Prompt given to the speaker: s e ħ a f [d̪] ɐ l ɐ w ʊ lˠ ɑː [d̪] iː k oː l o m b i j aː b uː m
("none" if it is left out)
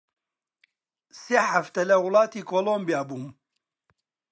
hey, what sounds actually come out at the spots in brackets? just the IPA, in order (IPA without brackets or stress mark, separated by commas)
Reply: t̪, t̪